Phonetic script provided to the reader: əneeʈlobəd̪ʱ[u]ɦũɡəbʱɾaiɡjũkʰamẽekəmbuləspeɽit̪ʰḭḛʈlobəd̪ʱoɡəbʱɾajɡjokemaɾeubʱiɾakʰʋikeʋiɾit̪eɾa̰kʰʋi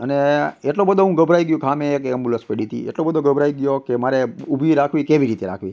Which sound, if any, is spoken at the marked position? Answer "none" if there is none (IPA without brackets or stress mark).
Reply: o